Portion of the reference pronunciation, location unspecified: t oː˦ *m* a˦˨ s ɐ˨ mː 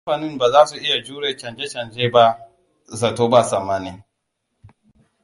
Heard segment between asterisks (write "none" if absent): b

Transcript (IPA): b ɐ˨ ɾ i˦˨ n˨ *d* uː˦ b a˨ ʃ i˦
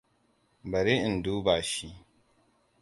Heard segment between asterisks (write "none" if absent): d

